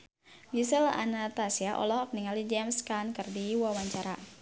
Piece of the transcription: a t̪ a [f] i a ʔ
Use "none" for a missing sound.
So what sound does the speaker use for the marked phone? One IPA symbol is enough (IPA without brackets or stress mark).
s